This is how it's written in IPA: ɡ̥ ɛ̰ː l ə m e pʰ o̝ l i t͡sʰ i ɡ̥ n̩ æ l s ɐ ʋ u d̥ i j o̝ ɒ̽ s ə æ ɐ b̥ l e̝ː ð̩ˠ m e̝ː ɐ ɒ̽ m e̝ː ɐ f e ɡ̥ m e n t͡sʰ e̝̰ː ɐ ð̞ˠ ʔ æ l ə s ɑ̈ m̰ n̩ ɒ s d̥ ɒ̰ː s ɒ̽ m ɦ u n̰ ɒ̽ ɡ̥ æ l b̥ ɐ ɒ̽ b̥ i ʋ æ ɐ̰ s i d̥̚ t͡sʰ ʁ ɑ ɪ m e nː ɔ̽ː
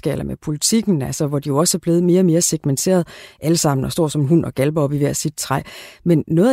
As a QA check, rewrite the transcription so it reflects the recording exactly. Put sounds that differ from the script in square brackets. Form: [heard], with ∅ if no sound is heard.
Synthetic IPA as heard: ɡ̥ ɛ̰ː l [ɐ] m e pʰ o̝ l i t͡sʰ i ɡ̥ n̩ æ l s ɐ ʋ [ɒ] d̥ i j o̝ ɒ̽ s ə æ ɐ b̥ l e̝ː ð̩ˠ m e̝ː ɐ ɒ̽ m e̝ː ɐ [s] e ɡ̥ m e n t͡sʰ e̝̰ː ɐ ð̞ˠ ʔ æ l ə s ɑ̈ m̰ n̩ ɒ s d̥ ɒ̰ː s ɒ̽ m ɦ u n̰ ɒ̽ ɡ̥ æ l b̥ ɐ ɒ̽ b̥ i ʋ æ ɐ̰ s i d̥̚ t͡sʰ ʁ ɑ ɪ m e nː ɔ̽ː